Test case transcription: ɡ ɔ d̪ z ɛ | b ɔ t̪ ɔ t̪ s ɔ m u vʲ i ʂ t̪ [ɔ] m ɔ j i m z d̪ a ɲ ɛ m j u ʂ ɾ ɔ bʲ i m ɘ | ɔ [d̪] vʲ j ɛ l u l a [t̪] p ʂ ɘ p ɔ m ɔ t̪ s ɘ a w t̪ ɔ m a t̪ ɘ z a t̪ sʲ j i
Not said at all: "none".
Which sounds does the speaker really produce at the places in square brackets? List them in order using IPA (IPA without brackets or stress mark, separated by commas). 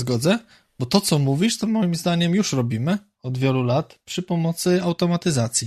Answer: ɔ, d̪, t̪